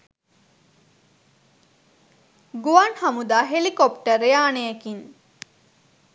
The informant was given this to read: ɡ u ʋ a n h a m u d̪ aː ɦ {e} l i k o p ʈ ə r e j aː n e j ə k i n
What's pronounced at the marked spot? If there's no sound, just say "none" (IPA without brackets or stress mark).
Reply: e